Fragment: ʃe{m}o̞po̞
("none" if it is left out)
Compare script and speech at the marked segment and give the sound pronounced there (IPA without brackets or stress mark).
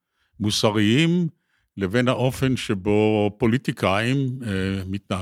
b